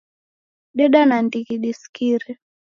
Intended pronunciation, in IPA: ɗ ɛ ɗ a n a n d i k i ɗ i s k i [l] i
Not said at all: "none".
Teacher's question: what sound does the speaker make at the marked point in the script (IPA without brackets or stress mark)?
ɾ